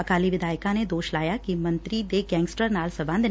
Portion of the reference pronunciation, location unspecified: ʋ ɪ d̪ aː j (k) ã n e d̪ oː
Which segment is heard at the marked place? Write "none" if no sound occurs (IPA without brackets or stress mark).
k